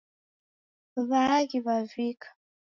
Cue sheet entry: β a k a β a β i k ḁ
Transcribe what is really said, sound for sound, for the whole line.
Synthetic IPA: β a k i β a v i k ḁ